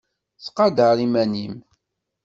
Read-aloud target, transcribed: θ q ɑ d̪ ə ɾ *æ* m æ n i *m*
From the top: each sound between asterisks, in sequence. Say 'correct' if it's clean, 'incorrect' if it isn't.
incorrect, correct

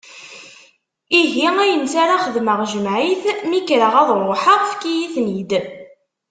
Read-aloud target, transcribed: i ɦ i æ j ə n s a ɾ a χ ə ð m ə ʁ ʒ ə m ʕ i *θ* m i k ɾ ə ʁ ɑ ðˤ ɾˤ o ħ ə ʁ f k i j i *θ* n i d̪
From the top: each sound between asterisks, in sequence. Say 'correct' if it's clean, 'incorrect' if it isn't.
correct, correct

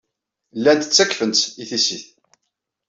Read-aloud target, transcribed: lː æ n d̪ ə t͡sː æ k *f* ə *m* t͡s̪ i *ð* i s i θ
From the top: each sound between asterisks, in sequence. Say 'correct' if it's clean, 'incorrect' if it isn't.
correct, incorrect, incorrect

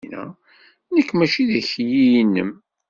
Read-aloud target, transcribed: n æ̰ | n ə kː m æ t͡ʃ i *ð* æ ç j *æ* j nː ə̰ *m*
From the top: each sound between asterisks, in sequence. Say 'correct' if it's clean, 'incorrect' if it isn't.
correct, incorrect, correct

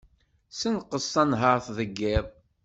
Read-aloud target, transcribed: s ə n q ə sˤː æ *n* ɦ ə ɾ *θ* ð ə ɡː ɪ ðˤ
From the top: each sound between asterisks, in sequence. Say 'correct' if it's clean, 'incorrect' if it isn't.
correct, correct

